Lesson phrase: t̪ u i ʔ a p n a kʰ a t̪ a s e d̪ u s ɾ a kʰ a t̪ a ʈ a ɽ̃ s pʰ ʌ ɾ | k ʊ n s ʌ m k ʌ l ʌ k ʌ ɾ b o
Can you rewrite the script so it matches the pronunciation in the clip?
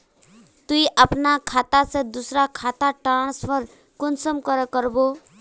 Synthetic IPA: t̪ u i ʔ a p n a kʰ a t̪ a s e d̪ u s ɾ a kʰ a t̪ a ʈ a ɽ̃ s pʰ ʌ ɾ | k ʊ n s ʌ m k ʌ ɾ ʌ k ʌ ɾ b o